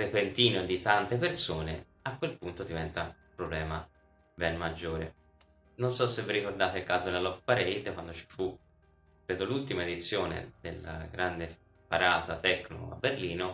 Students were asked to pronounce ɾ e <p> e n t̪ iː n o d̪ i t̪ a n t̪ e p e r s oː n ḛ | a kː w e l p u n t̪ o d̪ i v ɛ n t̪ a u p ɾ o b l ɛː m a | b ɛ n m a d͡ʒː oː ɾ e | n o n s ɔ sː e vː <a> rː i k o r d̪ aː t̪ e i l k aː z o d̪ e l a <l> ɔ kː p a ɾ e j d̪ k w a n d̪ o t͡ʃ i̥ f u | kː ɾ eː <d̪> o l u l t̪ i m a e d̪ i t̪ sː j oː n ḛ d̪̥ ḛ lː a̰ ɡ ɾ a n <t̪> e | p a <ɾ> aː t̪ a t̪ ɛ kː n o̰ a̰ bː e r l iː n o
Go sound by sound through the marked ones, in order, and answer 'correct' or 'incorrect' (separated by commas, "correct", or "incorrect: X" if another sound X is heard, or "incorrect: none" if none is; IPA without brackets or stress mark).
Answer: correct, incorrect: i, correct, correct, incorrect: d̪, correct